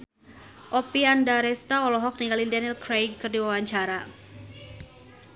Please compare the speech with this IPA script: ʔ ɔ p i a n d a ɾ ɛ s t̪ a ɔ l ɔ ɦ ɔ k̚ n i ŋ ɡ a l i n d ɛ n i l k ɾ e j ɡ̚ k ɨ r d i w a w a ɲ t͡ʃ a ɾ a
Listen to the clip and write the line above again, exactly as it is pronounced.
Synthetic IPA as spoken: ʔ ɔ p i a n d a ɾ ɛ s t̪ a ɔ l ɔ ɦ ɔ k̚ n i ŋ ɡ a l i n d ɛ n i l k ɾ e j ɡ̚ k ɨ r d i w a w a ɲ t͡ʃ a ɾ a

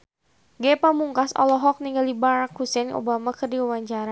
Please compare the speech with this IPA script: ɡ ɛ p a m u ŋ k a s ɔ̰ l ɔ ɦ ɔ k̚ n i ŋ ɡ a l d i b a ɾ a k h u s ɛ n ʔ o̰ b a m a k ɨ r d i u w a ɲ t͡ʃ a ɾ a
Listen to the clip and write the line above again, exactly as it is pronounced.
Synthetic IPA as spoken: ɡ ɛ p a m u ŋ k a s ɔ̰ l ɔ ɦ ɔ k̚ n i ŋ ɡ a l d i b a ɾ a k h u s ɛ n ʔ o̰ b a m a k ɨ r d i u w a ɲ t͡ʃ a ɾ a

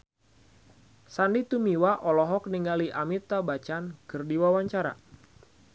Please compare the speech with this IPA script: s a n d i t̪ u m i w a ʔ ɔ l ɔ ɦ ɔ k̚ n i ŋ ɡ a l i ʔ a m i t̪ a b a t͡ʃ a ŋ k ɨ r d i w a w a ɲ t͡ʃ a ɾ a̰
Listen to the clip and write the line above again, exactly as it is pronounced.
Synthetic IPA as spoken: s a n d i t̪ u m i w a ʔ ɔ l ɔ ɦ ɔ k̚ n i ŋ ɡ a l i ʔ a m i t̪ a b a t͡ʃ a n k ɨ r d i w a w a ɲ t͡ʃ a ɾ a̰

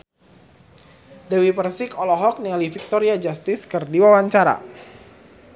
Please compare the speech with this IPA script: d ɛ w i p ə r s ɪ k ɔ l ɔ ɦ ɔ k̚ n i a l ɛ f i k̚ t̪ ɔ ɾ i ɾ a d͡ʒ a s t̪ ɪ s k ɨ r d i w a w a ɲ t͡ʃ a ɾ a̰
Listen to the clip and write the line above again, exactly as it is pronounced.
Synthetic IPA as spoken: d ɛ w i p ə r s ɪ k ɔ l ɔ ɦ ɔ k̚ n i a l i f i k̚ t̪ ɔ ɾ i a d͡ʒ a s t̪ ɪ s k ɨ r d i w a w a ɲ t͡ʃ a ɾ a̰

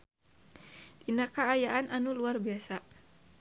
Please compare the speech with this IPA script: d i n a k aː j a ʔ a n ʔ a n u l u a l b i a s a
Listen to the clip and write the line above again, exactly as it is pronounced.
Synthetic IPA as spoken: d i n a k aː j a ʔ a n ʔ a n u l u a r b i a s a

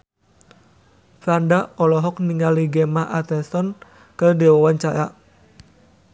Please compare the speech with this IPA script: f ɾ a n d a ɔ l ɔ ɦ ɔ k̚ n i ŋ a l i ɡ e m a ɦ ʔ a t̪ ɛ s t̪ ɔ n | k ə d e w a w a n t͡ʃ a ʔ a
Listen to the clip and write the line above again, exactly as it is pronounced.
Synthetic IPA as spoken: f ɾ a n d a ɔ l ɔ ɦ ɔ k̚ n i ŋ a l i ɡ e m a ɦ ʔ a t̪ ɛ s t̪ ɔ n | k ə d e w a w a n t͡ʃ a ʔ a

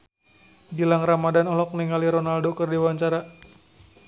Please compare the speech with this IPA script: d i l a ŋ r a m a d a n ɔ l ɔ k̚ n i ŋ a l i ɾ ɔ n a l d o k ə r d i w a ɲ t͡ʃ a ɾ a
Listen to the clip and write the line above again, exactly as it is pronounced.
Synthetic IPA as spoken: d i l a ŋ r a m a d a n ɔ l ɔ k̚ n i ŋ a l i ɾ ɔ n a l d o k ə r d i w a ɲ t͡ʃ a ɾ a

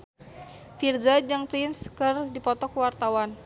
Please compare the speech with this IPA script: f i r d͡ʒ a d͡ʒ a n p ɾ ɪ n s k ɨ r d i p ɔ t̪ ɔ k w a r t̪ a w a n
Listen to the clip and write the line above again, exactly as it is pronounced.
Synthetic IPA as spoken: f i r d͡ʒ a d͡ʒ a ŋ p ɾ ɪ n s k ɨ r d i p ɔ t̪ ɔ k w a r t̪ a w a n

